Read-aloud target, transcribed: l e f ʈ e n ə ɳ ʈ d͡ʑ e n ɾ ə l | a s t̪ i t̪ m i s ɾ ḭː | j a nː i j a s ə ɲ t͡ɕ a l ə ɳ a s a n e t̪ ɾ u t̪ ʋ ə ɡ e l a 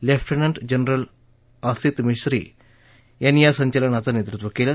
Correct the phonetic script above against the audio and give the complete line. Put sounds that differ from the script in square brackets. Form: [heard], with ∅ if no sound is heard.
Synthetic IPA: l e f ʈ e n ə ɳ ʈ d͡ʑ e n ɾ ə l | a s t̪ i t̪ m i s ɾ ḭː | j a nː i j a s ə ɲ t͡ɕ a l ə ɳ a [t͡s] a n e t̪ ɾ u t̪ ʋ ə [k] e l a